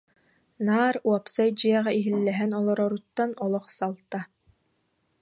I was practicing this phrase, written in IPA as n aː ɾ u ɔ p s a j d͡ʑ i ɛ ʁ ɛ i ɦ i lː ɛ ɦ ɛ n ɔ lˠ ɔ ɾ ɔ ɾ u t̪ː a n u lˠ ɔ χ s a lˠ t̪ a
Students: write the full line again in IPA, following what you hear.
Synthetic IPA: n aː ɾ u ɔ p s a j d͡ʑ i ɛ ʁ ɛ i ɦ i lː ɛ ɦ ɛ n ɔ lˠ ɔ ɾ ɔ ɾ u t̪ː a n ɔ lˠ ɔ χ s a lˠ t̪ a

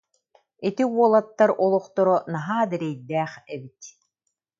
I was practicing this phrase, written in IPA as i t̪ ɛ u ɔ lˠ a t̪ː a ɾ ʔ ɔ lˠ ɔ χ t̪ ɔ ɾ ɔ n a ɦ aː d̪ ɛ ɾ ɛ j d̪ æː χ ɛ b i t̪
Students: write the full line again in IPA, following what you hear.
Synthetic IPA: i t̪ i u ɔ lˠ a t̪ː a ɾ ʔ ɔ lˠ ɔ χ t̪ ɔ ɾ ɔ n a ɦ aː d̪ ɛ ɾ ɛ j d̪ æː χ ɛ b i t̪

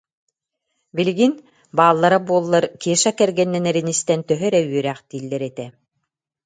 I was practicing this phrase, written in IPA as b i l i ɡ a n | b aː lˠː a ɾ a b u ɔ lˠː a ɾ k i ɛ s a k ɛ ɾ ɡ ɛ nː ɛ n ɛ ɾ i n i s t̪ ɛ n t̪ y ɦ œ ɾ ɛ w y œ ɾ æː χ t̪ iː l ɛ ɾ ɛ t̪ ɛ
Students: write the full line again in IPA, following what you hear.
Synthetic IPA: b i l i ɡ i n | b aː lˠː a ɾ a b u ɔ lˠː a ɾ k i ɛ ʃ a k ɛ ɾ ɡ ɛ nː ɛ n ɛ ɾ i n i s t̪ ɛ n t̪ œ ɦ œ ɾ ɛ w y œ ɾ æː χ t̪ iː lː ɛ ɾ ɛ t̪ ɛ

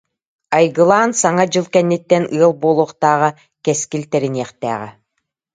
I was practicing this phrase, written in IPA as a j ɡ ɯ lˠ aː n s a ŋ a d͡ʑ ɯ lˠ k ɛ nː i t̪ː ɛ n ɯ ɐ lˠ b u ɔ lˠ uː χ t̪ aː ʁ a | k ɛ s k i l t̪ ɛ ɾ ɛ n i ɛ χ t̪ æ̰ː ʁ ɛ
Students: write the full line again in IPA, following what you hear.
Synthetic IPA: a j ɡ ɯ lˠ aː n s a ŋ a d͡ʑ ɯ lˠ k ɛ nː i t̪ː ɛ n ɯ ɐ lˠ b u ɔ lˠ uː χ t̪ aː ʁ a | k ɛ s k i l t̪ ɛ ɾ i n i ɛ χ t̪ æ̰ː ʁ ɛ

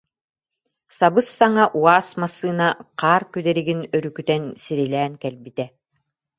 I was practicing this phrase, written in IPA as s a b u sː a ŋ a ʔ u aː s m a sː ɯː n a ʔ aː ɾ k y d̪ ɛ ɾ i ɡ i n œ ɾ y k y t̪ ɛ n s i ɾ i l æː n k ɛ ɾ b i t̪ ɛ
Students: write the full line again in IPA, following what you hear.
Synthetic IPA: s a b ɯ sː a ŋ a ʔ u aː s m a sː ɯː n a q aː ɾ k y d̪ ɛ ɾ i ɡ i n œ ɾ y k y t̪ ɛ n s i ɾ i l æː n k ɛ l b i t̪ ɛ

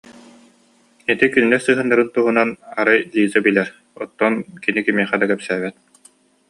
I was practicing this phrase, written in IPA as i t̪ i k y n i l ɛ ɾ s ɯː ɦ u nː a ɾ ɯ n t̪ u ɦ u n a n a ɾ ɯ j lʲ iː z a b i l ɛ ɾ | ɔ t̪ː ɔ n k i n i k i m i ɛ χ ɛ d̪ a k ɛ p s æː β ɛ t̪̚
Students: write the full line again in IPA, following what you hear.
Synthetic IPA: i t̪ i k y n i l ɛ ɾ s ɯː ɦ ɯ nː a ɾ ɯ n t̪ u ɦ u n a n a ɾ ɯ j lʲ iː z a b i l ɛ ɾ | ɔ t̪ː ɔ n k i n i k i m i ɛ χ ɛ d̪ a k ɛ p s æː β ɛ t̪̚

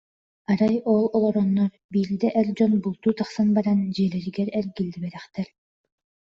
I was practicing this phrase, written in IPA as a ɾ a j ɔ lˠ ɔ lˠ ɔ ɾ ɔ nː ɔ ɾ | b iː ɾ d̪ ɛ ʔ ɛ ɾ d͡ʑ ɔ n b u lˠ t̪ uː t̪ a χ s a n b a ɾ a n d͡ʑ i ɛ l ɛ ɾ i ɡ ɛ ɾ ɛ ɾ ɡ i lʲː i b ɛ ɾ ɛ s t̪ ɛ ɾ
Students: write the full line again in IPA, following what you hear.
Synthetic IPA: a ɾ a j ɔ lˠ ɔ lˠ ɔ ɾ ɔ nː ɔ ɾ | b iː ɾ d̪ ɛ ʔ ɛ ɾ d͡ʑ ɔ n b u lˠ t̪ uː t̪ a χ s a n b a ɾ a n d͡ʑ i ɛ l ɛ ɾ i ɡ ɛ ɾ ɛ ɾ ɡ i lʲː i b ɛ ɾ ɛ χ t̪ ɛ ɾ

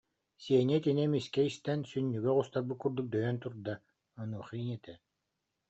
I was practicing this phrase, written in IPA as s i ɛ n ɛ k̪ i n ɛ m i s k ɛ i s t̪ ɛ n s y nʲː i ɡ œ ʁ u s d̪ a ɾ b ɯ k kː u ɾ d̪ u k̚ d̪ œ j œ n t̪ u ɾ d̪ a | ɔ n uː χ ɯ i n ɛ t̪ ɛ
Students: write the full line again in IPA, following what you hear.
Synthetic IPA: s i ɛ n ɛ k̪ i n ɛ m i s k ɛ i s t̪ ɛ n s y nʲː y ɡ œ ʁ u s t̪ a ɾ b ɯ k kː u ɾ d̪ u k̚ d̪ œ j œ n t̪ u ɾ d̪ a | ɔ n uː χ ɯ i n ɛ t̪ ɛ

